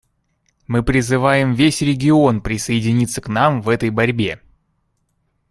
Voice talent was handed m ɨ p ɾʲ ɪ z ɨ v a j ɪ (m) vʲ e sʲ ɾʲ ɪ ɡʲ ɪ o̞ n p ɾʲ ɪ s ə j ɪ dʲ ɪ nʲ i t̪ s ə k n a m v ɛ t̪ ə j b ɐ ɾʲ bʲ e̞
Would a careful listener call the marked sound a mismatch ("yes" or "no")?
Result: no